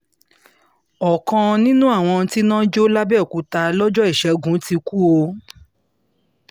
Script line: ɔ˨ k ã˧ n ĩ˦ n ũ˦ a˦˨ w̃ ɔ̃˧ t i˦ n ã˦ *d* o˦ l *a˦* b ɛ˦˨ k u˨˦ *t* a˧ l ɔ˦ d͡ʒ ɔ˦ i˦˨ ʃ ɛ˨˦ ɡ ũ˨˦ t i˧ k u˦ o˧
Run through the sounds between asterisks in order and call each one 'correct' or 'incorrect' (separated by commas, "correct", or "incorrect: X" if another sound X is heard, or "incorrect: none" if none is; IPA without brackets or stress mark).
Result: incorrect: d͡ʒ, correct, correct